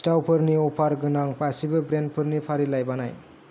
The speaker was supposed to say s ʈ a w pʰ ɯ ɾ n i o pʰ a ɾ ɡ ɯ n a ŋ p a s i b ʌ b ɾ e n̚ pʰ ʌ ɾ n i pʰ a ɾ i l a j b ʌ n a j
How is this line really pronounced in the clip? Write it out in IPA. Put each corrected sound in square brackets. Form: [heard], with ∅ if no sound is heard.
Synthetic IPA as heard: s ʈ a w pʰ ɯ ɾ n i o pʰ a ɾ ɡ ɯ n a ŋ p a s i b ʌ b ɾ e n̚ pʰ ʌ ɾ n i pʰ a ɾ i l a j b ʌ n a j